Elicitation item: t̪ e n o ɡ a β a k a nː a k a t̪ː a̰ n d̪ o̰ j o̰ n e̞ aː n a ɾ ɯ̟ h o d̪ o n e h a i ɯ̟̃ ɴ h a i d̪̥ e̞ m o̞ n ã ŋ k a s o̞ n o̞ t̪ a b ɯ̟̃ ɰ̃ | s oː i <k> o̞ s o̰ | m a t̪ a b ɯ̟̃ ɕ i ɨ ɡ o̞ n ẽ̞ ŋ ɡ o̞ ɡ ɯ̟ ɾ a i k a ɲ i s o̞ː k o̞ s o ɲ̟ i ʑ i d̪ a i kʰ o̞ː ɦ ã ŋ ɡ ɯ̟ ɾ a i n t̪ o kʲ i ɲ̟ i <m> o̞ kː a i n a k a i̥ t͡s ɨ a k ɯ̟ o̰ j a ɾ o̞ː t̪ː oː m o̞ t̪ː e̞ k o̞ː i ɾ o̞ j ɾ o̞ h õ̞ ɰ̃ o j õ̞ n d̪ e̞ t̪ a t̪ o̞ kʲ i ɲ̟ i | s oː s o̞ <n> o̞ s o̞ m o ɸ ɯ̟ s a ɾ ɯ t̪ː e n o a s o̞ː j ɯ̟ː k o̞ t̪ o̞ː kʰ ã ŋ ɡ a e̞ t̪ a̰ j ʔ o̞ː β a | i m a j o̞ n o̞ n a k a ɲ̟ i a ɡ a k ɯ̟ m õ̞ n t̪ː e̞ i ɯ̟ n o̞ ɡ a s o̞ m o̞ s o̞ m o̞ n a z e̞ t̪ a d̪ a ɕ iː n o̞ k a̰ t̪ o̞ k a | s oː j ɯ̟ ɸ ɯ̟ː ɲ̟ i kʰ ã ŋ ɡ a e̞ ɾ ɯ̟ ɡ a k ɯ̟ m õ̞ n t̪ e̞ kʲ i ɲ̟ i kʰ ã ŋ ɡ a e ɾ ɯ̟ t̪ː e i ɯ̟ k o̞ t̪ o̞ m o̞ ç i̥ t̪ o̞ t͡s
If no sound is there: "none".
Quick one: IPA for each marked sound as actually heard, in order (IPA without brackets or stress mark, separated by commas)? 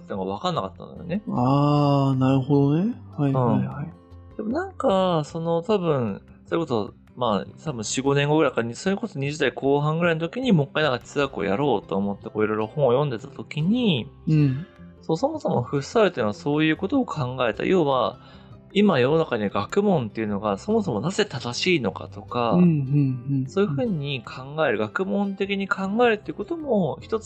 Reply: k, m, m